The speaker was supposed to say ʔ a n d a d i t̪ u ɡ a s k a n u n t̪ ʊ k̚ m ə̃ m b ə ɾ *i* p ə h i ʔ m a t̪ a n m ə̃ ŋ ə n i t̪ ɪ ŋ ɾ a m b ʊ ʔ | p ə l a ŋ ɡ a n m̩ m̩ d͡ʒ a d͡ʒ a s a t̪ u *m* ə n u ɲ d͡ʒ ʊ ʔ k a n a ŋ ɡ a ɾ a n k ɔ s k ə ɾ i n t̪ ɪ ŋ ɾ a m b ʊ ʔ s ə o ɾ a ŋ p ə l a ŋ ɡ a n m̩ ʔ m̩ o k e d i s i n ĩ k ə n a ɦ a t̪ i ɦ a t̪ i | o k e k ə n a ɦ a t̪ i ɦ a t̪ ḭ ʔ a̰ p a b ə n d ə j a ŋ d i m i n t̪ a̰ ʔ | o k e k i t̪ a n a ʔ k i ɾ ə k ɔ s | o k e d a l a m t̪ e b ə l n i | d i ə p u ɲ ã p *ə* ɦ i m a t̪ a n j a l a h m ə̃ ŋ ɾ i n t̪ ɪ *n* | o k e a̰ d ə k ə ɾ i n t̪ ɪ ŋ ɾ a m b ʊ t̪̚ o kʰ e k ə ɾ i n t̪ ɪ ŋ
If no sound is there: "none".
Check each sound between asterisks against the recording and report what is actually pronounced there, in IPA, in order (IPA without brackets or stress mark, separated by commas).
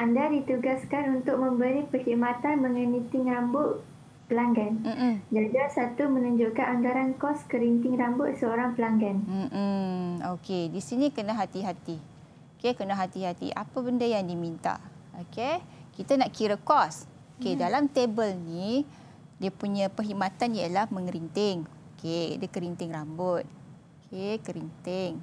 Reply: i, m, ə, ŋ